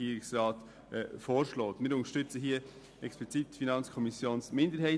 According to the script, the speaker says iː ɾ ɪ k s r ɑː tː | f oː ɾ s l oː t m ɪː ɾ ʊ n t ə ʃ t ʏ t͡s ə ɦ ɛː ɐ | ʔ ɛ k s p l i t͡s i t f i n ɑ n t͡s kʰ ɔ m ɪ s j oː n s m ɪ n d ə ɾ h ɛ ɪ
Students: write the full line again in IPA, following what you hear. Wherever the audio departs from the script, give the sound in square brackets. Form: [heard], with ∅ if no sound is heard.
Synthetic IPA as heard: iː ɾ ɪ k s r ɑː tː | f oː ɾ [ʃ] l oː t m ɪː ɾ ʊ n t ə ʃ t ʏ t͡s ə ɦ [iː] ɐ | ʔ ɛ k s p l i t͡s i t f i n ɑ n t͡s kʰ ɔ m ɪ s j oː n s m ɪ n d ə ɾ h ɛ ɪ